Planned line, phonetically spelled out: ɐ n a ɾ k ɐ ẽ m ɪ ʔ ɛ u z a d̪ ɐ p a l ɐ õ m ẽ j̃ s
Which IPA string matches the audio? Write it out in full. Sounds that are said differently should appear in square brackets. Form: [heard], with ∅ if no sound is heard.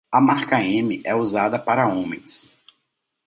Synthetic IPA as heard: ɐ [m] a ɾ k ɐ ẽ m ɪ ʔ ɛ u z a d̪ ɐ p a [ɾ] ɐ õ m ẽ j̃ s